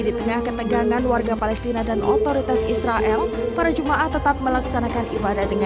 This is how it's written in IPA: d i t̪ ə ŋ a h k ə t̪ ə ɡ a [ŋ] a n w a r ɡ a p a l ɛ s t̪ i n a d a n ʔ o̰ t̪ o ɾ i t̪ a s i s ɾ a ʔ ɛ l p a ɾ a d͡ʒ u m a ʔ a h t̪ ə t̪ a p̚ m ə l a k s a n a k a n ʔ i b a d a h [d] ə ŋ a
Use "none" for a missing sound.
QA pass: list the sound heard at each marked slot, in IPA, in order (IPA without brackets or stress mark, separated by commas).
ŋ, d